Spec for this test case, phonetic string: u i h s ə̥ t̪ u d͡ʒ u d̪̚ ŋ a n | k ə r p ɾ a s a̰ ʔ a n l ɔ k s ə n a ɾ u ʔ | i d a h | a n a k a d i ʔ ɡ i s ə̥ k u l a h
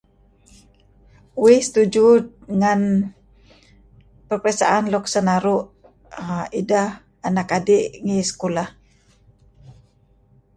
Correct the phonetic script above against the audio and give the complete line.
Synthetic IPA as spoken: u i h s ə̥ t̪ u d͡ʒ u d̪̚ ŋ a n | p ə r p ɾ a s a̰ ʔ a n l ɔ k s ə n a ɾ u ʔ | i d a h | a n a k a d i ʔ ŋ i s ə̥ k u l a h